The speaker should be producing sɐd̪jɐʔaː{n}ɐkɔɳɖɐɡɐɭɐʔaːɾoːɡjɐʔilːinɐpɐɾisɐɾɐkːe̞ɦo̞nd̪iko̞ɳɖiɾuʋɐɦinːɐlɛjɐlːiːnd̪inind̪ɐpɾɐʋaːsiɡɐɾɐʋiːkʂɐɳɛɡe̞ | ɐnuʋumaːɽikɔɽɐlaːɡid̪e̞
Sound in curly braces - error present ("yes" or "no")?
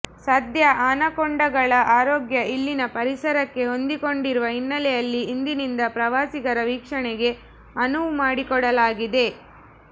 no